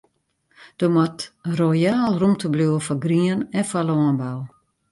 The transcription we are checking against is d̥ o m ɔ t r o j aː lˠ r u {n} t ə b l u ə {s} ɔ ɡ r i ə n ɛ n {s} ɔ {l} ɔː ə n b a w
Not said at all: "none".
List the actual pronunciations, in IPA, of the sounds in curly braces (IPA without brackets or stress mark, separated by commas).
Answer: m, f, f, l